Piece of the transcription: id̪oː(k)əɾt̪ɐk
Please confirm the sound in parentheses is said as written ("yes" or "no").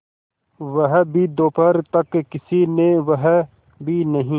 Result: no